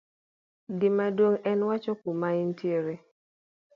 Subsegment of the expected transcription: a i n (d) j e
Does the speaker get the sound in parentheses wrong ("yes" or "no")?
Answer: yes